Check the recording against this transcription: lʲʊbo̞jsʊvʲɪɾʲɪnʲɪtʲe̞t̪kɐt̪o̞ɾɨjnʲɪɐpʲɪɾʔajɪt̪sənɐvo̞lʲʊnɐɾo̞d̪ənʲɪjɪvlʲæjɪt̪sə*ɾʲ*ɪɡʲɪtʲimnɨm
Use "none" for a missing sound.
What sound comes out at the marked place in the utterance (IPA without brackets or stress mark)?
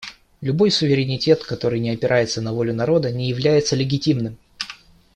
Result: lʲ